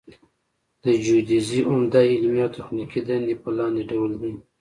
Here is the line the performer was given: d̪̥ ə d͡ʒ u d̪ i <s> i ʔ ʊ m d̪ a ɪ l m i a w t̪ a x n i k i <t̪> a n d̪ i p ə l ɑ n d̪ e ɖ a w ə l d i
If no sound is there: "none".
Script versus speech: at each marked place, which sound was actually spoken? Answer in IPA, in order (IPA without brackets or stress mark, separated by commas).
z, d̪